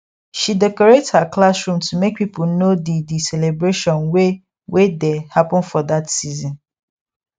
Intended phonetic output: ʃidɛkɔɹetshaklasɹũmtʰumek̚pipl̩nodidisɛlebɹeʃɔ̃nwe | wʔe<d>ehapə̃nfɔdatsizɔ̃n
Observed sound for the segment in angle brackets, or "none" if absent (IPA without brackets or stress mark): d